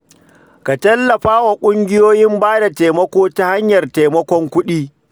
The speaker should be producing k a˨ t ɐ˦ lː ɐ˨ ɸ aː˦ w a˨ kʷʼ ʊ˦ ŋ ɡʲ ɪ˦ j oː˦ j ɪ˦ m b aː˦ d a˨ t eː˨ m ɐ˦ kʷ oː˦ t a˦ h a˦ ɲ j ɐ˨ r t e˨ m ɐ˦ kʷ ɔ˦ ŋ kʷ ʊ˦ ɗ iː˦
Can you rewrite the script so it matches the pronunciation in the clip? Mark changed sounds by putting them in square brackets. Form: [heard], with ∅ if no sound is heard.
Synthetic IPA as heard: k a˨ t ɐ˦ lː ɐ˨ ɸ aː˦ w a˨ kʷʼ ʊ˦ ŋ ɡʲ ɪ˦ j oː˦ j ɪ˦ m b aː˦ d a˨ t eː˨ m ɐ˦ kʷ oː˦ t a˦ h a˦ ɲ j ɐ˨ r t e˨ m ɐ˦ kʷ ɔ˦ ŋ kʷ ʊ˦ ɗ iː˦